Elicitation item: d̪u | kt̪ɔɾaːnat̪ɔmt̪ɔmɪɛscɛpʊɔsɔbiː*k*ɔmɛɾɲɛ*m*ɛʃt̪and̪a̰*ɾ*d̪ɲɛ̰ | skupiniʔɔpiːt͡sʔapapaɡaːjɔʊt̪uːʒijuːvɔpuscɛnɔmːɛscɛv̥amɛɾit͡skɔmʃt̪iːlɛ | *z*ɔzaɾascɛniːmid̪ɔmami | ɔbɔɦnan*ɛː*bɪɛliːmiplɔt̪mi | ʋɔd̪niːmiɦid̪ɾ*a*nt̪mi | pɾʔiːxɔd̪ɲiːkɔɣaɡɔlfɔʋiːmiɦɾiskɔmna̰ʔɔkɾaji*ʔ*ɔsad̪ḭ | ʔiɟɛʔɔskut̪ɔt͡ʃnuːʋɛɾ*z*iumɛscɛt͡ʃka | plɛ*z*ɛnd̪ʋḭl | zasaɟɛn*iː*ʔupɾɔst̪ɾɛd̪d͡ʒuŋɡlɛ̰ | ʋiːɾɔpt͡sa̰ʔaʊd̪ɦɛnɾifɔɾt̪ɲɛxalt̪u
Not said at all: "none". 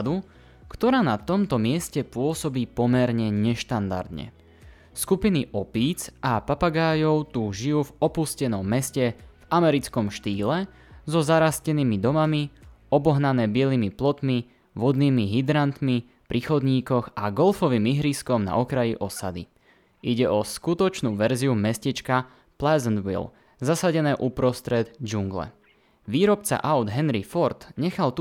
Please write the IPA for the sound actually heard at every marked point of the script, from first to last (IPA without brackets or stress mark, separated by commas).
p, ɲ, ɾ, z, ɛː, a, ʔ, z, z, ɛː